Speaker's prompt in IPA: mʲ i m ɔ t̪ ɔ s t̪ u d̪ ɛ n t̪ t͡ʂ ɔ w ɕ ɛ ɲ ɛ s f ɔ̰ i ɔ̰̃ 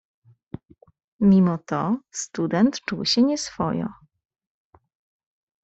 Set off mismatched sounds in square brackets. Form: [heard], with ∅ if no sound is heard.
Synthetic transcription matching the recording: mʲ i m ɔ t̪ ɔ s t̪ u d̪ ɛ n t̪ t͡ʂ [u] w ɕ ɛ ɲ ɛ s f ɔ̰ [j] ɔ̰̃